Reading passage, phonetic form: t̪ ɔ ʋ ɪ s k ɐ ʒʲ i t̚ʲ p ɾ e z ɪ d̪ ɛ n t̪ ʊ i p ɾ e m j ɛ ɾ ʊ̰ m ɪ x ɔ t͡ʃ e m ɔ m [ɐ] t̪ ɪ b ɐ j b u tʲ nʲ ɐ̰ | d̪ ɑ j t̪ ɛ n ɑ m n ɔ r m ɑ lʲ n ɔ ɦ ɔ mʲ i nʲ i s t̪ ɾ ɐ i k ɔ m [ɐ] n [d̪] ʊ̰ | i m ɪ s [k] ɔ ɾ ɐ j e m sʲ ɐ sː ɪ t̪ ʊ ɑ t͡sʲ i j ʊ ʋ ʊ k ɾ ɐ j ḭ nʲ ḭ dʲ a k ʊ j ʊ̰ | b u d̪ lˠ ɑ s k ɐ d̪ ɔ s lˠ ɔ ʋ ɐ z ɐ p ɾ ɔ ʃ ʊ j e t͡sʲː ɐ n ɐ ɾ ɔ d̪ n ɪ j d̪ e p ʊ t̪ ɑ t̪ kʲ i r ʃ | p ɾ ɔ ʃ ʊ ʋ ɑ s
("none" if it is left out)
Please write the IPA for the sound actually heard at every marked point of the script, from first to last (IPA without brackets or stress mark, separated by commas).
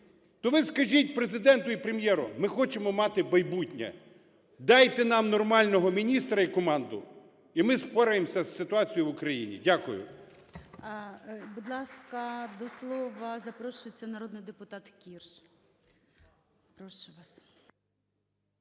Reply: ɑ, ɑ, d̪, p